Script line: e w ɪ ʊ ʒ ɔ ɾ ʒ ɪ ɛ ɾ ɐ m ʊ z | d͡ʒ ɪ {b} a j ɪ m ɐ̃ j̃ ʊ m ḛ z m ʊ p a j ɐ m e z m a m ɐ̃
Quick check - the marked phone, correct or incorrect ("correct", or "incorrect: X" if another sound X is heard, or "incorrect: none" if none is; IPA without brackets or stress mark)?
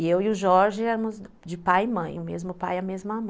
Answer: incorrect: p